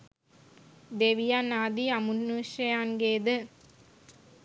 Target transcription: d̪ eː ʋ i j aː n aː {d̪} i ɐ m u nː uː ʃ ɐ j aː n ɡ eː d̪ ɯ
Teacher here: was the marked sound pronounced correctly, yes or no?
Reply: yes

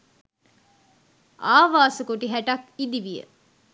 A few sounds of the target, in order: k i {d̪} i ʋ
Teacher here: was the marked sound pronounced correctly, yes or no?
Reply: yes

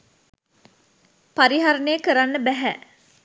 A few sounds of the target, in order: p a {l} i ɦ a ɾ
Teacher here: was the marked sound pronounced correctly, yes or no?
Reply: no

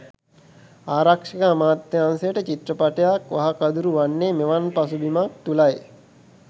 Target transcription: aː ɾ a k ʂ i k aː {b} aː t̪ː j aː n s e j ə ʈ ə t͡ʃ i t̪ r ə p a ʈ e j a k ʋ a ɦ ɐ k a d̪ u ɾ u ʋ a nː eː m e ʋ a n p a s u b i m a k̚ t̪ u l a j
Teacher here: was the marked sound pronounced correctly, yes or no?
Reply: no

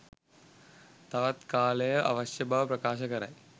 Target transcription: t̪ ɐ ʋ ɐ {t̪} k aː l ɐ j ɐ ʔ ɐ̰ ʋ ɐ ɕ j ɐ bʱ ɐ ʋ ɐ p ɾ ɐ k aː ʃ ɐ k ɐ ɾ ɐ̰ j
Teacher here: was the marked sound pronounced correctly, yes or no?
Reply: yes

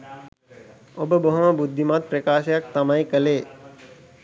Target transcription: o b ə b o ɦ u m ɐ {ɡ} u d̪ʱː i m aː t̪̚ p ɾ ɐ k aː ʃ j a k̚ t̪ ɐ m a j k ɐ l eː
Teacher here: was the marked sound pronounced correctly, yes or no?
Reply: no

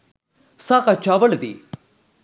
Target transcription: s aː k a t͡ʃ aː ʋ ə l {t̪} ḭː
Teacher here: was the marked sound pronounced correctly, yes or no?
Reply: no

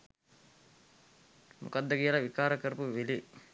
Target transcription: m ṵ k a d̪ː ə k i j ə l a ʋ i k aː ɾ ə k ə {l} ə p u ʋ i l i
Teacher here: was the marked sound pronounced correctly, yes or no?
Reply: no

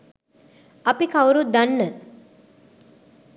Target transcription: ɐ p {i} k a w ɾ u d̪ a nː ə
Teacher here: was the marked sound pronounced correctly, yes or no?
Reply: yes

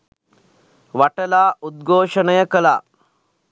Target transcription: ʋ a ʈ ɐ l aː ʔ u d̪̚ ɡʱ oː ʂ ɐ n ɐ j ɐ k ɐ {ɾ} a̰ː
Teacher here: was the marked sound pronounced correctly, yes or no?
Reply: no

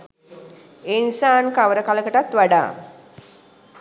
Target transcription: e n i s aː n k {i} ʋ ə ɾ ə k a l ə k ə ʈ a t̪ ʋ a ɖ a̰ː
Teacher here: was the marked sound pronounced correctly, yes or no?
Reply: no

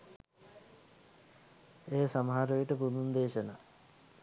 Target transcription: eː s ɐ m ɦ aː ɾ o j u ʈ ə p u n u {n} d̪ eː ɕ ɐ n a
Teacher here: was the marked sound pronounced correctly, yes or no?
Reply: yes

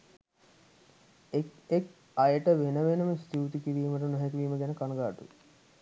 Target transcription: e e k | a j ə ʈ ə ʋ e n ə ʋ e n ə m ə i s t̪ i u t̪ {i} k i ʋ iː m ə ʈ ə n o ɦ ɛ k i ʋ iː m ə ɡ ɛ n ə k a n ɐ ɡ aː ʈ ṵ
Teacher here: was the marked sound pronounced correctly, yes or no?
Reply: yes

